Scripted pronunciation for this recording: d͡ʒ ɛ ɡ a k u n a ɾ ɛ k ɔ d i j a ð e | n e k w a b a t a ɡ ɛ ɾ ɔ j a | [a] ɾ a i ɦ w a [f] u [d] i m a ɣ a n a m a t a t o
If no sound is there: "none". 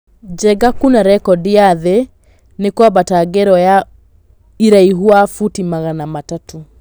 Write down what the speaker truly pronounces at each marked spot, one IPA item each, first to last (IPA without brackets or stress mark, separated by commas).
i, f, t